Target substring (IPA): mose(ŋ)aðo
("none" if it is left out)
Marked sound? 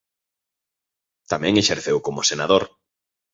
n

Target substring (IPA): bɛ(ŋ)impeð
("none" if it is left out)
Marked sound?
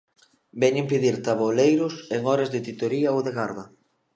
ɲ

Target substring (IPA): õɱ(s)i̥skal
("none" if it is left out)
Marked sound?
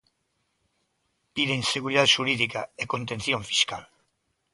f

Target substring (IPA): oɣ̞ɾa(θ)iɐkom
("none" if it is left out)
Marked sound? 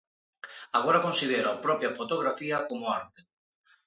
f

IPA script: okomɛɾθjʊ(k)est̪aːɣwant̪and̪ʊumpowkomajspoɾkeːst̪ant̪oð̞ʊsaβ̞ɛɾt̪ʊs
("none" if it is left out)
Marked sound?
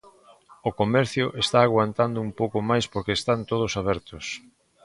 ʔ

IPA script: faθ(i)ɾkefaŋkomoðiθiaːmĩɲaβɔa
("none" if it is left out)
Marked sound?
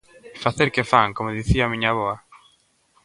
e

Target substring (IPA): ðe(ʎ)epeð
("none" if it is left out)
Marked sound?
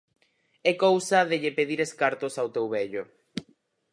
ʎ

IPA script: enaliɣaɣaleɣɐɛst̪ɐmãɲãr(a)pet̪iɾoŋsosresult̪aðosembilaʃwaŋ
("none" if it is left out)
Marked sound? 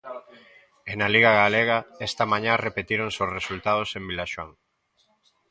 e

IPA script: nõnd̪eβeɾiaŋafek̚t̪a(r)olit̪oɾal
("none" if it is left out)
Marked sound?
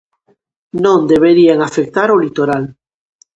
ɾ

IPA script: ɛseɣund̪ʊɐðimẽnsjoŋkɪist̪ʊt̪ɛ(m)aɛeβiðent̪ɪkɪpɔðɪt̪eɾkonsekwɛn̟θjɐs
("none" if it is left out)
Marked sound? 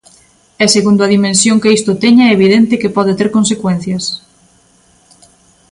ɲ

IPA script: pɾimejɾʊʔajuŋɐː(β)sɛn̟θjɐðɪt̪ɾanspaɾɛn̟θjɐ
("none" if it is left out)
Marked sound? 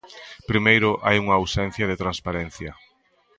w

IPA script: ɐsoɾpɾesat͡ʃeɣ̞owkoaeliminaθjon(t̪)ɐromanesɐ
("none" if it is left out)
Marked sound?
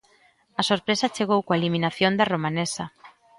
d̪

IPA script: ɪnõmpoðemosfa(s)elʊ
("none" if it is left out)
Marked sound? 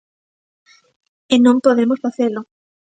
θ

